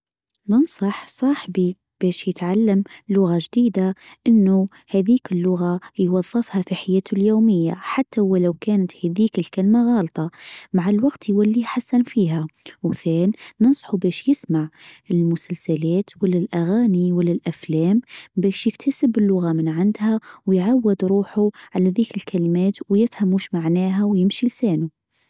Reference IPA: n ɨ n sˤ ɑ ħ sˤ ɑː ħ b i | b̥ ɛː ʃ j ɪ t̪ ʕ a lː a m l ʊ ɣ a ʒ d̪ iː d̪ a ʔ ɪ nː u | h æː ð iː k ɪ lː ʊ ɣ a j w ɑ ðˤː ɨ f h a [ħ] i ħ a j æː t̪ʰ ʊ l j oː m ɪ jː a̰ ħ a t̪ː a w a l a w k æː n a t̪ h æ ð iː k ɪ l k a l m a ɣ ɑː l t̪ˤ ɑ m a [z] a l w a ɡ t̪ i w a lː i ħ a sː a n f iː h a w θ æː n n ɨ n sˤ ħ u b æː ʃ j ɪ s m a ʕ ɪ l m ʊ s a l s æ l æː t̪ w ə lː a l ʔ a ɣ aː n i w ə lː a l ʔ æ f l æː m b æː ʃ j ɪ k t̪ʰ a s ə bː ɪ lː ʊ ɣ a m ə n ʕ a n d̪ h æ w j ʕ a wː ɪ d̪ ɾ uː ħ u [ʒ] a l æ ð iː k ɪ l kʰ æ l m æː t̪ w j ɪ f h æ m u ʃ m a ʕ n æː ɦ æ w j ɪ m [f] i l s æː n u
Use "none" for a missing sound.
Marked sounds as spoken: f, ʕ, ʕ, ʃ

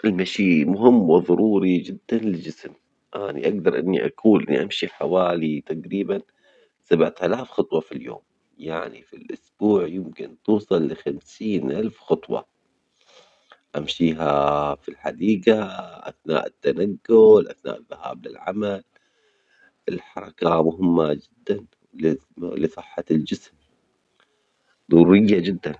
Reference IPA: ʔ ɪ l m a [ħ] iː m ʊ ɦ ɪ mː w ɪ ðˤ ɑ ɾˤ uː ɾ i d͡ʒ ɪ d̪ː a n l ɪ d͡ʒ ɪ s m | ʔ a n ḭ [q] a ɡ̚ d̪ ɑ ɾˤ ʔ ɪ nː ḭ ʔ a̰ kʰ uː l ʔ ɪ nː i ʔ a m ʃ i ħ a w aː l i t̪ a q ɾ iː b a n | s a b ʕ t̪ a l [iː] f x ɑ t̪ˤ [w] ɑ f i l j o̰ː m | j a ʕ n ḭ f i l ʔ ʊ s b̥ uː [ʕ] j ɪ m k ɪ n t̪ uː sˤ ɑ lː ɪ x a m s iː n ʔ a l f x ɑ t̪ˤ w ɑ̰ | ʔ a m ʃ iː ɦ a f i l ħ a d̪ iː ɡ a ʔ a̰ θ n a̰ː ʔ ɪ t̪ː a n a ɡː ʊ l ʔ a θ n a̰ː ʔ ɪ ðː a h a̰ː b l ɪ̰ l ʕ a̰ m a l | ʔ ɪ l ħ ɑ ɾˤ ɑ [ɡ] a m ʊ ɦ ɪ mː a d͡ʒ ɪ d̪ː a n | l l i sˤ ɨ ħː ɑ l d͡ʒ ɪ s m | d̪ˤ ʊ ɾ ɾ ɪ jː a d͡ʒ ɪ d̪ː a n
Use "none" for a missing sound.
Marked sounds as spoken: ʃ, ʔ, aː, w, ʕ, k

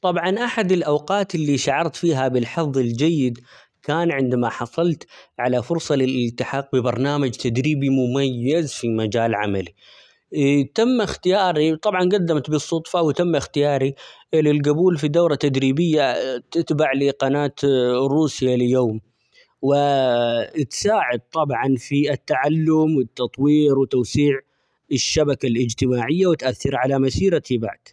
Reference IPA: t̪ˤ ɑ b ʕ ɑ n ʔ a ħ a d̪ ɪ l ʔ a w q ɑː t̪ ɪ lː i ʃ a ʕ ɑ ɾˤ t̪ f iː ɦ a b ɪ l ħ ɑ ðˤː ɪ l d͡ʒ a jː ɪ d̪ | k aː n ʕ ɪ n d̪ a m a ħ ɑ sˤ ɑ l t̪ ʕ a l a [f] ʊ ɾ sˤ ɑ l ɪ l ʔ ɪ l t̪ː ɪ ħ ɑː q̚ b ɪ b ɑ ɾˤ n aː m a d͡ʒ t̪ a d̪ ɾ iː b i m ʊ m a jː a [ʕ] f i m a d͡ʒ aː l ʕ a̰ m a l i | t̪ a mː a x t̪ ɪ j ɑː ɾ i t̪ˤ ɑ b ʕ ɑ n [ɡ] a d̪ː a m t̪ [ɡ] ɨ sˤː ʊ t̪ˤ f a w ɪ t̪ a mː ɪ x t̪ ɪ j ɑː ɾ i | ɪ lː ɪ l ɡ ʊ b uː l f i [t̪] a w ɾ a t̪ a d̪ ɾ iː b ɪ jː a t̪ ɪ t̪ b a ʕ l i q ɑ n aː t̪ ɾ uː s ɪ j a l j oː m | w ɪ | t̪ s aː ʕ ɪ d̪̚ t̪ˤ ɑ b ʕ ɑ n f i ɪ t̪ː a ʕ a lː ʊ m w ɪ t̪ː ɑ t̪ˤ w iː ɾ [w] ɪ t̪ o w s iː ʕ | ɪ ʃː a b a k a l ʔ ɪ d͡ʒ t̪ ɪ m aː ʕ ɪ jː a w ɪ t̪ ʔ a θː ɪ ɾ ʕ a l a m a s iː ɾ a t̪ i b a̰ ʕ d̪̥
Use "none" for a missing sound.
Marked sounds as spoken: f, z, ɡ, b, d̪, w

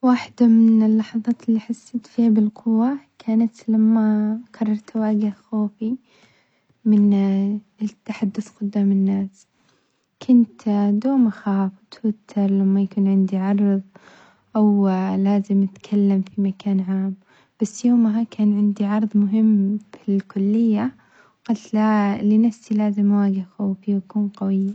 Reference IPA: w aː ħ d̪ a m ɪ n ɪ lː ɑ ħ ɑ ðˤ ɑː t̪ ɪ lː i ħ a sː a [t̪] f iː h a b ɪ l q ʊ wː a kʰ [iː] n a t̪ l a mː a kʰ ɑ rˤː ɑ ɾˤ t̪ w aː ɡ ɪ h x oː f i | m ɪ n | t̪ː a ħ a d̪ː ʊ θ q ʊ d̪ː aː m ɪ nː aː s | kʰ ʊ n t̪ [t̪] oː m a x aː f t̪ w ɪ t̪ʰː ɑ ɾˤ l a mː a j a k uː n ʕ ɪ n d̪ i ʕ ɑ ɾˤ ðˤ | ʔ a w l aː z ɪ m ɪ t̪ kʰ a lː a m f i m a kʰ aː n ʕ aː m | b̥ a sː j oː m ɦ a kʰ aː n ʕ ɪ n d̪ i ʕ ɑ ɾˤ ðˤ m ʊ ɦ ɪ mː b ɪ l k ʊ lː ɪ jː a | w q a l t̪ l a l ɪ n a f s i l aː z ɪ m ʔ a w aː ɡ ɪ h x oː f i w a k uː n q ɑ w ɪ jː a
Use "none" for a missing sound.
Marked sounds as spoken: t̪, aː, d̪

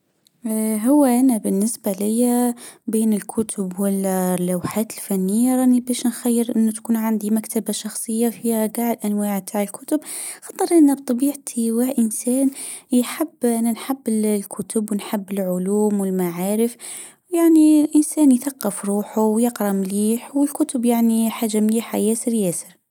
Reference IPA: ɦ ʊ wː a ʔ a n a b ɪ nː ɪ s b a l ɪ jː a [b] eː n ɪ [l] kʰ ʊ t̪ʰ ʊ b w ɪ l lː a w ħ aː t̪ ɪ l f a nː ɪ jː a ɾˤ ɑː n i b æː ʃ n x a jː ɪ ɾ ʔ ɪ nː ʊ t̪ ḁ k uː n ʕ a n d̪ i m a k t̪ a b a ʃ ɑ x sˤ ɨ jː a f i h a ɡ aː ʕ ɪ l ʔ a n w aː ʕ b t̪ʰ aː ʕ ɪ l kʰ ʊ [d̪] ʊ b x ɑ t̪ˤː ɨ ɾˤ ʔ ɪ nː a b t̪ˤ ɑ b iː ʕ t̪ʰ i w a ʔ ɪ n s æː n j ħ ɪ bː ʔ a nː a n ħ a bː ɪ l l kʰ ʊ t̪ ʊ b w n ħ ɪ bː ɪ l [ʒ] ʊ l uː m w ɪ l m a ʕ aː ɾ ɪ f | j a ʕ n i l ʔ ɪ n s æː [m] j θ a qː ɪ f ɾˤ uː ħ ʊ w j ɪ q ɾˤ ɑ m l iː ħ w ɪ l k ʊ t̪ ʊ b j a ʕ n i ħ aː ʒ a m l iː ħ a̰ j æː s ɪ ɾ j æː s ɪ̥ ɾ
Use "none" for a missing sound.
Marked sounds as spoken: b, l, t̪, ʕ, n

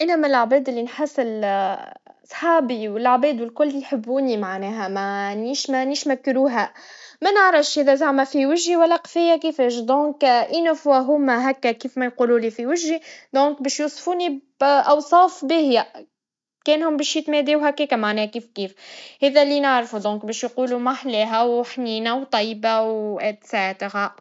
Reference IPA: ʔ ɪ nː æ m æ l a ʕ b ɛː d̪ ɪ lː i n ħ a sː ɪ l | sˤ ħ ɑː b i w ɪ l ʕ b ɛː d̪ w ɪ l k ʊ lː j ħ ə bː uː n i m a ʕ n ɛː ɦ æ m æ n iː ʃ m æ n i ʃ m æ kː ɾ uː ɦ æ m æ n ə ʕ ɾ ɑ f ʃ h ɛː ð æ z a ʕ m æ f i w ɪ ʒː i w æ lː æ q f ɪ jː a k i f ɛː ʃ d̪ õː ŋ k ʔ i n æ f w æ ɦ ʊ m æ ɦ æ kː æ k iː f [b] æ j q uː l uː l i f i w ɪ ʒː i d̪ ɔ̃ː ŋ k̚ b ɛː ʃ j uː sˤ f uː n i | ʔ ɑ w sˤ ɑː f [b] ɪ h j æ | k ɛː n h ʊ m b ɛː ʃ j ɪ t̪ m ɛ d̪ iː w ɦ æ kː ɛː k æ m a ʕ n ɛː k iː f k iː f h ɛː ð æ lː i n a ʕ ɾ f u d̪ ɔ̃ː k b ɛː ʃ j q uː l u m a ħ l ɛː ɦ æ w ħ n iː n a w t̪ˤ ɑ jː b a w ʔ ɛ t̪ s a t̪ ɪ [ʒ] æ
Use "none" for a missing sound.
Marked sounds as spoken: m, b, ɣ

